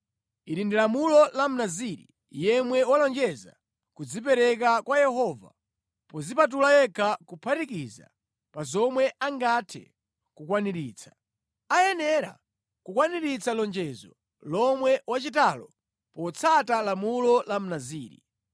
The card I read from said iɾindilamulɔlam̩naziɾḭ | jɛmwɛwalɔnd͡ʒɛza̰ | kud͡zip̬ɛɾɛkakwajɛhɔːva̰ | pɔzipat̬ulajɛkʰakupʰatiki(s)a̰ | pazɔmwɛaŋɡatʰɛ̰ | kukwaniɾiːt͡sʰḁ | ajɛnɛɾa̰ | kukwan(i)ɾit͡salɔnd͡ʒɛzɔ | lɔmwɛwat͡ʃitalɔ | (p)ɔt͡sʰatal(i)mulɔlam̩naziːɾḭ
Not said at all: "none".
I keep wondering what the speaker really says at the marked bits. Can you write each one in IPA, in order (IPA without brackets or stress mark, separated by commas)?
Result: z, i, p, a